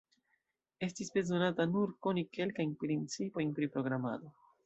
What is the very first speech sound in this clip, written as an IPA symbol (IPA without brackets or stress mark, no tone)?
e̞